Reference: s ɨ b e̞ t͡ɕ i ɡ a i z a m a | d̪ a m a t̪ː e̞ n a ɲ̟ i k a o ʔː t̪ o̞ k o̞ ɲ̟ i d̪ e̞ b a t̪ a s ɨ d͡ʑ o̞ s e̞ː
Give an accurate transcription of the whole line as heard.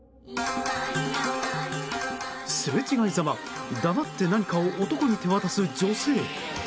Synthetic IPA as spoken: s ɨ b e̞ t͡ɕ i ɡ a i z a m a | d̪ a m a t̪ː e̞ n a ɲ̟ i k a o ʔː t̪ o̞ k o̞ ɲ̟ i t̪ e̞ β a t̪ a s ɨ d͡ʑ o̞ s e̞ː